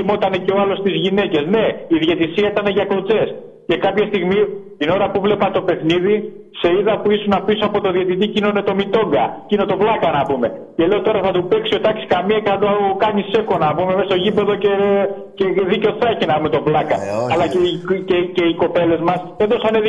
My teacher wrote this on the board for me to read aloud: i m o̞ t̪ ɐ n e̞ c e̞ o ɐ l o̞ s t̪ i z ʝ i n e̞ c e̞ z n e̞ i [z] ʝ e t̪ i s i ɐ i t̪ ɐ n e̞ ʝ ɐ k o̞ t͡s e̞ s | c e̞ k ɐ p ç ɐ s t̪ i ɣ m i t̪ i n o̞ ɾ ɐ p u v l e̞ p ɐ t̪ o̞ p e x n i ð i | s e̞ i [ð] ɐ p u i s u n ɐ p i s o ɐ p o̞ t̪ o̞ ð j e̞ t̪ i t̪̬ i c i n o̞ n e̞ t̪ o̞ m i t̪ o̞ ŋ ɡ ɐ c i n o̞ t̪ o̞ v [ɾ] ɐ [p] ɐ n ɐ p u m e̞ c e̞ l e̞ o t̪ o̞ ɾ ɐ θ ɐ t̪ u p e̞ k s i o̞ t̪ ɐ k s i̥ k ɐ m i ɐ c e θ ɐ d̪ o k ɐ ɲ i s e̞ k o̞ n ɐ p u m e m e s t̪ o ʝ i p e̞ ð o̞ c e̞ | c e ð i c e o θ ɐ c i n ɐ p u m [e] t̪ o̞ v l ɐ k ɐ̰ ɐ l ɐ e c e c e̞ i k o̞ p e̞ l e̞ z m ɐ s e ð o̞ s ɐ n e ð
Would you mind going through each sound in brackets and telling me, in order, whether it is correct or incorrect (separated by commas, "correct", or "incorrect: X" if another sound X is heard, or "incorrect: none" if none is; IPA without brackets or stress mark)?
incorrect: ð, correct, incorrect: l, incorrect: k, correct